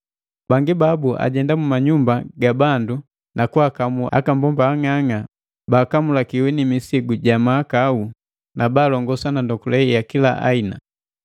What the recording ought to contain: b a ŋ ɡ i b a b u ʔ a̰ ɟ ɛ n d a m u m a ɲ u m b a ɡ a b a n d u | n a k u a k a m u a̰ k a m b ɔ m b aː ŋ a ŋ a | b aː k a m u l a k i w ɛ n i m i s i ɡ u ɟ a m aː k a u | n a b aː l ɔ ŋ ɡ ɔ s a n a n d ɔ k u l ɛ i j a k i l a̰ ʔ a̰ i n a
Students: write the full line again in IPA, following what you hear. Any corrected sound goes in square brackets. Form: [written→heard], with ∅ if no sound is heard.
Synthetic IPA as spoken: b a ŋ ɡ i b a b u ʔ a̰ ɟ ɛ n d a m u m a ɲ u m b a ɡ a b a n d u | n a k u a k a m u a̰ k a m b ɔ m b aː ŋ a ŋ a | b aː k a m u l a k i w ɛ n i m i s i ɡ u ɟ a m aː k a u | n a b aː l ɔ ŋ ɡ ɔ s a n a n d ɔ k u l ɛ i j a k i l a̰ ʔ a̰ i n a